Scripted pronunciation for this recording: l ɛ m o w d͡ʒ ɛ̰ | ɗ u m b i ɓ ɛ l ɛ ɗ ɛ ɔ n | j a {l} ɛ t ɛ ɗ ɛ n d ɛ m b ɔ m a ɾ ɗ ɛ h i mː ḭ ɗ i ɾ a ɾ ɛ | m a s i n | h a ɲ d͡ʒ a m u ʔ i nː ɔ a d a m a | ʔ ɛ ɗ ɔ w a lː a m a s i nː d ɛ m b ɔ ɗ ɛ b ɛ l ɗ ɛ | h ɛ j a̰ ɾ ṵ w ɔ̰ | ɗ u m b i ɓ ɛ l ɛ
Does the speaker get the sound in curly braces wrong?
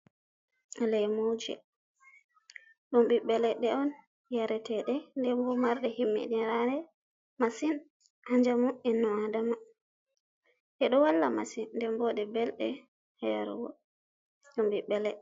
yes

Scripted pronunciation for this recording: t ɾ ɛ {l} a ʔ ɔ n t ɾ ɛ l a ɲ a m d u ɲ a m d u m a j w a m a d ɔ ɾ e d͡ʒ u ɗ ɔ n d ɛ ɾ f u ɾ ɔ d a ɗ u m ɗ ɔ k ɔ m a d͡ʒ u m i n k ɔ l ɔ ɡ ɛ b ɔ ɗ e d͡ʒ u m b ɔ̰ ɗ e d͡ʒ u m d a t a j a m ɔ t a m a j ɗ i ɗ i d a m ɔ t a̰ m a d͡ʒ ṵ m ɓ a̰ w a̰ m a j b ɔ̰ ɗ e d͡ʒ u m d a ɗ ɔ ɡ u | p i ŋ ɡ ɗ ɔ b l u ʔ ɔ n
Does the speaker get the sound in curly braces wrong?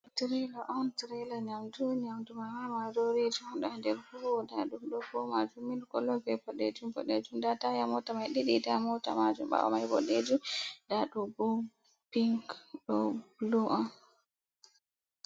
no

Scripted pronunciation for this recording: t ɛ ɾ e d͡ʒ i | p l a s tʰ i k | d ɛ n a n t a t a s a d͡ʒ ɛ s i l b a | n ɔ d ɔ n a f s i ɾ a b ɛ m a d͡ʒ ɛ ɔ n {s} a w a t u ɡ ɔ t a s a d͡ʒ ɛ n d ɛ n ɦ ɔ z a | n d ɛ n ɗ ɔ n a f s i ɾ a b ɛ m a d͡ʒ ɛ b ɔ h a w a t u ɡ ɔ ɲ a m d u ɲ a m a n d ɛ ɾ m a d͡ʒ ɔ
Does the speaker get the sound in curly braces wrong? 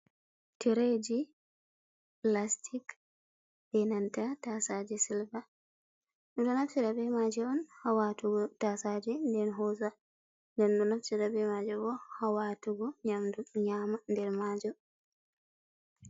yes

